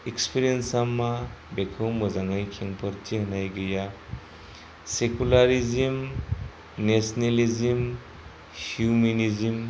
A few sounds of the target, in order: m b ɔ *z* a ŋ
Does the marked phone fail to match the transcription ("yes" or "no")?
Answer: no